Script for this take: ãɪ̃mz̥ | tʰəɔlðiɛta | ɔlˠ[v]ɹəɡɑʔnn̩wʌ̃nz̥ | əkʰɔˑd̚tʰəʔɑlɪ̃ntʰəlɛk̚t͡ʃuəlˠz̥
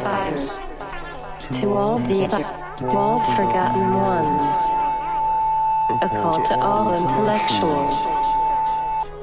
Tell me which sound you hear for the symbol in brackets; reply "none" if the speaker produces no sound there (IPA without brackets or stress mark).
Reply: f